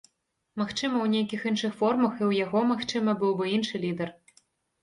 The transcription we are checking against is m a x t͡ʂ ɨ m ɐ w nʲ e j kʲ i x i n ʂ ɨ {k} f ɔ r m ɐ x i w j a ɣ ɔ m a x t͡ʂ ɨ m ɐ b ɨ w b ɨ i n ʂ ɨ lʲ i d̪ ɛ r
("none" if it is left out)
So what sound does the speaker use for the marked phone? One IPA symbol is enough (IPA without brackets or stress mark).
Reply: x